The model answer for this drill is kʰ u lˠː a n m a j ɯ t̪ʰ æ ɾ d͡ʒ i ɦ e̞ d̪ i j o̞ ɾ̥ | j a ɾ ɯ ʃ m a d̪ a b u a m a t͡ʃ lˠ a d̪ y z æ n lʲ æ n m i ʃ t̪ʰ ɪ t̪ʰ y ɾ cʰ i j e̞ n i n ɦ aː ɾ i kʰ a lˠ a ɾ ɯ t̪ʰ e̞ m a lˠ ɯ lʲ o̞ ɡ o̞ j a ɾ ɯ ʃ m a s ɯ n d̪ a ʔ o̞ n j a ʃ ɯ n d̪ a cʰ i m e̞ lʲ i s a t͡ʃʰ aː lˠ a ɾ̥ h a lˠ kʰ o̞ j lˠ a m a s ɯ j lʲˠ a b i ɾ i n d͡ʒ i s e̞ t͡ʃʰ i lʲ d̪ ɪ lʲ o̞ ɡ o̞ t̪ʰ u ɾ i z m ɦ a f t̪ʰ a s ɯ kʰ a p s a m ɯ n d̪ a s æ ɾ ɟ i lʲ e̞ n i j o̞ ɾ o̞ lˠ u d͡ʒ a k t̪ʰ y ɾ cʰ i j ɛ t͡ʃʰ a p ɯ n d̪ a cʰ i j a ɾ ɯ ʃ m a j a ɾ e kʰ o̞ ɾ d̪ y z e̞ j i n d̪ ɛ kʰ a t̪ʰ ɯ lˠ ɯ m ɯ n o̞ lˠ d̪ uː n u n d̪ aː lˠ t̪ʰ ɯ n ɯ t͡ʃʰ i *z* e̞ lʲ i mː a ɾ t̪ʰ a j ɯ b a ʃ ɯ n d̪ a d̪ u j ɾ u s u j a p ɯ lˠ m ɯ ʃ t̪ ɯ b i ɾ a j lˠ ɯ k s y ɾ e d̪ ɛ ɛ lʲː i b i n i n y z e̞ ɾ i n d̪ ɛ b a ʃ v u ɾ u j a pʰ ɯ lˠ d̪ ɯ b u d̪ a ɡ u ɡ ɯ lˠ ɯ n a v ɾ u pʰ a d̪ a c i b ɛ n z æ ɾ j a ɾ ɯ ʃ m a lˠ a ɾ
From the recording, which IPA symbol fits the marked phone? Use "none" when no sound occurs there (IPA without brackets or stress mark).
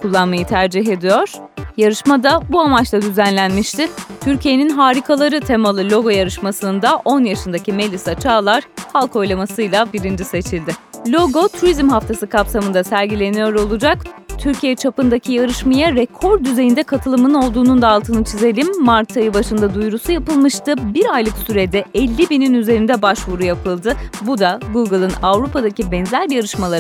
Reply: z